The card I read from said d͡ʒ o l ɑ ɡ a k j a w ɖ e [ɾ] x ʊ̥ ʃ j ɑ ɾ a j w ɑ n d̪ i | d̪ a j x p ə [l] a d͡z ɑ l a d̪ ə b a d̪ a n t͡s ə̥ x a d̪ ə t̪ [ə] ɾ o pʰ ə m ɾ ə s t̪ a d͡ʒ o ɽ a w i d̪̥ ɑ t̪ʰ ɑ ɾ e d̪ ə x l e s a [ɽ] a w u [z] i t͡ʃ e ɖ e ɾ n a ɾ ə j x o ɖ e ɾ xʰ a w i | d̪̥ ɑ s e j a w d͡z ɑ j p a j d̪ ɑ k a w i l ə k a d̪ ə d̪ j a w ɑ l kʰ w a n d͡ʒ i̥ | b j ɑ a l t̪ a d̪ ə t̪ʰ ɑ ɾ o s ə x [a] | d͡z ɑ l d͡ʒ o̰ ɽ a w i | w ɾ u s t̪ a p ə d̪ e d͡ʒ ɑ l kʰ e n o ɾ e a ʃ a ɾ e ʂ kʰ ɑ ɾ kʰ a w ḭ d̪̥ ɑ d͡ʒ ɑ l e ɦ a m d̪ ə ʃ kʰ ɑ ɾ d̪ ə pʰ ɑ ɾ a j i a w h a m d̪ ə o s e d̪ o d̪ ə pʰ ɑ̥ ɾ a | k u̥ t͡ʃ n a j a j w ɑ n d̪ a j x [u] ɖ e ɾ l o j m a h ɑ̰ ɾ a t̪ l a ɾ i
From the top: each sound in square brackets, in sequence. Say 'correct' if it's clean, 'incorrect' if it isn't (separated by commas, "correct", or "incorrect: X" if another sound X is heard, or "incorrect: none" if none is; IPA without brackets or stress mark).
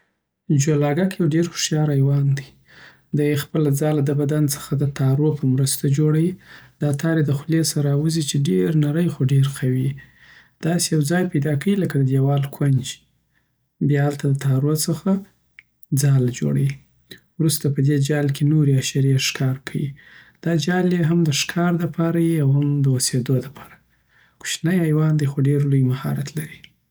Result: correct, correct, incorrect: ɑ, incorrect: ɾ, correct, correct, incorrect: o